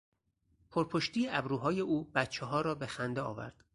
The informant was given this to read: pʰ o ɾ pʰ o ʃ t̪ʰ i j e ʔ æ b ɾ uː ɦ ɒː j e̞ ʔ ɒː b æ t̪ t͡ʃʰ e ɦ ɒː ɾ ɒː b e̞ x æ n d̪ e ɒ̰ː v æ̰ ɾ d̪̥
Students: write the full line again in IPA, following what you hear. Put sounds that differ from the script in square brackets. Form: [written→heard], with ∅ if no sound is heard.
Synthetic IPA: pʰ o ɾ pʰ o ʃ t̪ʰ i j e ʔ æ b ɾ uː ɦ ɒː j e̞ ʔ [ɒː→uː] b æ t̪ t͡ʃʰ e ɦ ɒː ɾ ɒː b e̞ x æ n d̪ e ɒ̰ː v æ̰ ɾ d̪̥